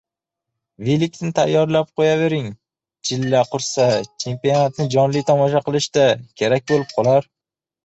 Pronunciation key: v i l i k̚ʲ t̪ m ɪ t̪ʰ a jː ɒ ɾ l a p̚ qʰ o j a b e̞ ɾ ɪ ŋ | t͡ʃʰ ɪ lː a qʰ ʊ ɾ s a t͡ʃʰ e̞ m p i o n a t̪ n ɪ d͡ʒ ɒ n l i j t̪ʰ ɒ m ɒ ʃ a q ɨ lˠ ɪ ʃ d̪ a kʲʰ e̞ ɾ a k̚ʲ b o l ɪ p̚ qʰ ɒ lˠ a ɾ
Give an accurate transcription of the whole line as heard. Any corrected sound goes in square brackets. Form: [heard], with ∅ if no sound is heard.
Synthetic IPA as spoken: v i l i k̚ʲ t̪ [n] ɪ t̪ʰ a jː ɒ ɾ l a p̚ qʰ o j a [v] e̞ ɾ ɪ ŋ | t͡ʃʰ ɪ lː a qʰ ʊ ɾ s a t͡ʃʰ e̞ m p i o n a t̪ n ɪ d͡ʒ ɒ n l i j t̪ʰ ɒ m ɒ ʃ a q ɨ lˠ ɪ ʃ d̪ a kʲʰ e̞ ɾ a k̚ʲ b o l ɪ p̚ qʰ ɒ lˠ a ɾ